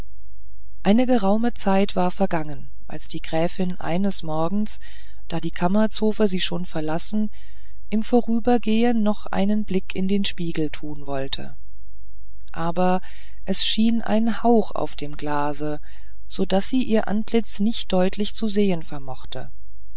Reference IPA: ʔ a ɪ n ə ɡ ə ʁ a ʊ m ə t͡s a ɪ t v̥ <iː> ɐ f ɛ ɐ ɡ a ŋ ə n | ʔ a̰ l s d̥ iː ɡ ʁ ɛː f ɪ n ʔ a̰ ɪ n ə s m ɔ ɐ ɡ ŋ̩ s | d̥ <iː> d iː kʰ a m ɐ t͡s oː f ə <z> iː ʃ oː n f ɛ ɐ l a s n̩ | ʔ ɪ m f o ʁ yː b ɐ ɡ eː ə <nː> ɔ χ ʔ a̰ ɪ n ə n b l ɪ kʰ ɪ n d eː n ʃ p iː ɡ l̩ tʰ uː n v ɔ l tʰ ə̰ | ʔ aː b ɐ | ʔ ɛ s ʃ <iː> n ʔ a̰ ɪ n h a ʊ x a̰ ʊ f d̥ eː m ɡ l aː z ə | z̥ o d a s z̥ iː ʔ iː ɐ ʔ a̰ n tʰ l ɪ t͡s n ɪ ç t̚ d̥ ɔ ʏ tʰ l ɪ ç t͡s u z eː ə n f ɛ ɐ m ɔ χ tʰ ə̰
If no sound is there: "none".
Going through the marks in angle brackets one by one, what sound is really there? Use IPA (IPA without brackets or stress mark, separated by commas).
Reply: aː, aː, z, nː, iː